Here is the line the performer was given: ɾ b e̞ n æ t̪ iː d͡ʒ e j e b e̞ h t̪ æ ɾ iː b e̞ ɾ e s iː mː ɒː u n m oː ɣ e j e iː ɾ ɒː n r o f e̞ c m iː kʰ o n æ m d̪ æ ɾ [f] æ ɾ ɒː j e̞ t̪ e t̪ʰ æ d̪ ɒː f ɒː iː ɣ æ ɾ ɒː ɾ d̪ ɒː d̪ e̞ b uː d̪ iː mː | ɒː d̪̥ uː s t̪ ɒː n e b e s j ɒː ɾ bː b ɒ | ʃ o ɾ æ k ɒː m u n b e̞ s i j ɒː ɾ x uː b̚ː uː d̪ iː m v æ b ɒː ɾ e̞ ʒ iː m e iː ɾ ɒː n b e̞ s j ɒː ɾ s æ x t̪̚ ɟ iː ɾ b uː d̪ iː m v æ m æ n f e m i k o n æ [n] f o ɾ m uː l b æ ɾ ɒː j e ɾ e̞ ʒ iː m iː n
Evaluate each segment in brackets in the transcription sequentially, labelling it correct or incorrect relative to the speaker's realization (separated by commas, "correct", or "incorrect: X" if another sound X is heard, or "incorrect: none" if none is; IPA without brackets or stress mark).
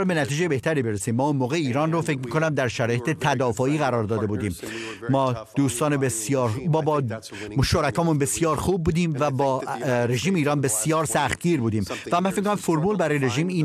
incorrect: ʃ, incorrect: m